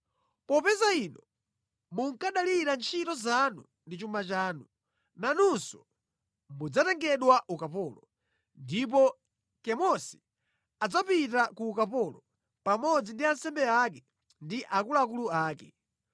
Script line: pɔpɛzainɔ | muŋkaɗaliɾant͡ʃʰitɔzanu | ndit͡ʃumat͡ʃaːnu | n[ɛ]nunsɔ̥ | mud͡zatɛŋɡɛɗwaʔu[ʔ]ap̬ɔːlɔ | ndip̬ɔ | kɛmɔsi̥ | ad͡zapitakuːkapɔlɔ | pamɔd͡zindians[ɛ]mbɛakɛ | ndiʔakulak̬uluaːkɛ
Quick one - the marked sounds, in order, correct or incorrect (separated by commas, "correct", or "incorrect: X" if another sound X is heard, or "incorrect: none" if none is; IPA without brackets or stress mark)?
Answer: incorrect: a, incorrect: k, correct